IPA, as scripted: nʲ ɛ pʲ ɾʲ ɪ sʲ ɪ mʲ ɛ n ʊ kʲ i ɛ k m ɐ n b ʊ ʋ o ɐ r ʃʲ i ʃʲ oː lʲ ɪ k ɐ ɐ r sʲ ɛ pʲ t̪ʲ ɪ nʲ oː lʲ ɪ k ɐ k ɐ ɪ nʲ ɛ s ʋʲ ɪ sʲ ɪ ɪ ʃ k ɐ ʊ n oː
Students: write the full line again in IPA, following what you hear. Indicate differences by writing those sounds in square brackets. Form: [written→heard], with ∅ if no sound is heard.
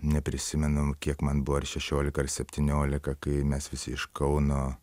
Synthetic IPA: nʲ ɛ pʲ ɾʲ ɪ sʲ ɪ mʲ ɛ n ʊ kʲ i ɛ k m ɐ n b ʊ ʋ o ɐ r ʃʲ [i→ɛ] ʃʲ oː lʲ ɪ k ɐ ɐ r sʲ ɛ pʲ t̪ʲ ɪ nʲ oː lʲ ɪ k ɐ k ɐ ɪ [nʲ→mʲ] ɛ s ʋʲ ɪ sʲ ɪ ɪ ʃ k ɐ ʊ n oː